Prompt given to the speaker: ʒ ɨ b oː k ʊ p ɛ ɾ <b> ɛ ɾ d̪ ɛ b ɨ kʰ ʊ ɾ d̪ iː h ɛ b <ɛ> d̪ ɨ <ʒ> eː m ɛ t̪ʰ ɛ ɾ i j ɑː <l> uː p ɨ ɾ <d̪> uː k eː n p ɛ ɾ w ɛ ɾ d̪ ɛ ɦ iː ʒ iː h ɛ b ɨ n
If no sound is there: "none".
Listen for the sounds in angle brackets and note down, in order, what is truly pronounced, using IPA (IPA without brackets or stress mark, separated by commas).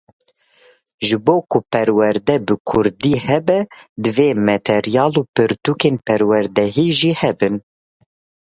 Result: w, ɛ, v, l, t̪